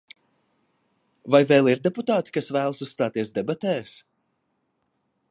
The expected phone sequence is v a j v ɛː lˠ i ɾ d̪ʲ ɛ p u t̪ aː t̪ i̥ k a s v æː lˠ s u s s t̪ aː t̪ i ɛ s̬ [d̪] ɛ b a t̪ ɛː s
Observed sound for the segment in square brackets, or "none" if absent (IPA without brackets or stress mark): d̪